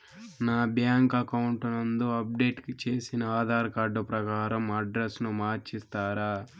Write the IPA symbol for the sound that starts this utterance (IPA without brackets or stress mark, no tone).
n